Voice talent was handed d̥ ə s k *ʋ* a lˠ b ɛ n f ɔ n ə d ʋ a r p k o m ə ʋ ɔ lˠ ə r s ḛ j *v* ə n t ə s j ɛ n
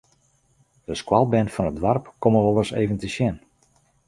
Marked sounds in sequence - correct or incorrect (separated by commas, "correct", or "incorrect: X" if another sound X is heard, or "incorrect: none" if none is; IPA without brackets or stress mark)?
incorrect: w, correct